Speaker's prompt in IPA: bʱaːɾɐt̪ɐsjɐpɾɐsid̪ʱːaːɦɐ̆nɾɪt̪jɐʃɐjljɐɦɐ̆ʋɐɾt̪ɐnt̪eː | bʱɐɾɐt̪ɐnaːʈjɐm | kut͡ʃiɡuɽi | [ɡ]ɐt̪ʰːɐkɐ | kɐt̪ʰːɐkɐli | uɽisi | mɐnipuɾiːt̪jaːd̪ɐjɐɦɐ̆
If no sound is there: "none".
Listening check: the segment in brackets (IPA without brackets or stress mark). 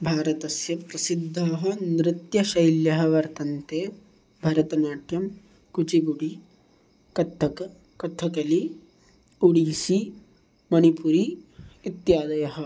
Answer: k